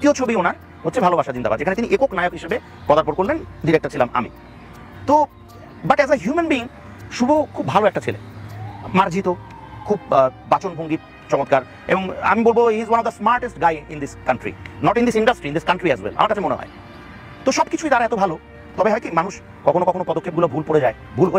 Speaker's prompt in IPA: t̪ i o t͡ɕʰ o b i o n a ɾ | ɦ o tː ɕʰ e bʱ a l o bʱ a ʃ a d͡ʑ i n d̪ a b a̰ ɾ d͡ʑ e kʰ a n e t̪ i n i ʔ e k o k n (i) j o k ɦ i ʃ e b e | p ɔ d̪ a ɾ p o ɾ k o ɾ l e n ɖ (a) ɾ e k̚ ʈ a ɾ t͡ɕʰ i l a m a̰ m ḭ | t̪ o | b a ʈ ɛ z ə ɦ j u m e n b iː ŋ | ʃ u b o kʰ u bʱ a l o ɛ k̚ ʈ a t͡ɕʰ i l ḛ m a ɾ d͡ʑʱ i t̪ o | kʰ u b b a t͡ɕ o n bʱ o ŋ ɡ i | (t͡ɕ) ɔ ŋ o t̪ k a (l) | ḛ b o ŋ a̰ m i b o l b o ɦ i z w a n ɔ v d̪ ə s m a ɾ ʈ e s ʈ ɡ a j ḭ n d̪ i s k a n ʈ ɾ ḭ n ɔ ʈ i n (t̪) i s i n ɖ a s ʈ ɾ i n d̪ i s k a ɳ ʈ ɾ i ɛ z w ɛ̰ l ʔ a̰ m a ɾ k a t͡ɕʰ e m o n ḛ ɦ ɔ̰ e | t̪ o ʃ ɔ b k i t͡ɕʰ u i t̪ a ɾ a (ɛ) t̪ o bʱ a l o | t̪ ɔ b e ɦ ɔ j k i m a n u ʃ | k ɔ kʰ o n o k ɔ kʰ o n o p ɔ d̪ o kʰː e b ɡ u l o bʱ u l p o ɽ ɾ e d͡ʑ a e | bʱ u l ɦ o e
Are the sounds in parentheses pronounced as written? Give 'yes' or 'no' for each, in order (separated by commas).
no, no, yes, no, no, yes